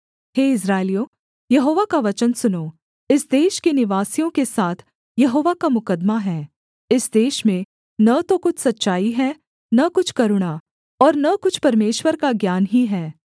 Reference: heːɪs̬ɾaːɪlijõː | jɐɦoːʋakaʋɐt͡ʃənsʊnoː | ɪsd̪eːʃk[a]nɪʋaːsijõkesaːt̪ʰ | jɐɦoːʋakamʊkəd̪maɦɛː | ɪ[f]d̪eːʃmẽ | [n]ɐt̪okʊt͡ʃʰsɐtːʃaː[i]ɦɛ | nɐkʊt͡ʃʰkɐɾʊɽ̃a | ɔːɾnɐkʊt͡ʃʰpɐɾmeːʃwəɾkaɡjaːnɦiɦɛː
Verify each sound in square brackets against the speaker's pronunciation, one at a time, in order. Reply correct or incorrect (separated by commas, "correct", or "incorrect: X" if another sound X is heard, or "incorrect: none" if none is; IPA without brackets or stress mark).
incorrect: e, incorrect: s, correct, correct